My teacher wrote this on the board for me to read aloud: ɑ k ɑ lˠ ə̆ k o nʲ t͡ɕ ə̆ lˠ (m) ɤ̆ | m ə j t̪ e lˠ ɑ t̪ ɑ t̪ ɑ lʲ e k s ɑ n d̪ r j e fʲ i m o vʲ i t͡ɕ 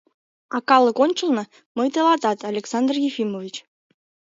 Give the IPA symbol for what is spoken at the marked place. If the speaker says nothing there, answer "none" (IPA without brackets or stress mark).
n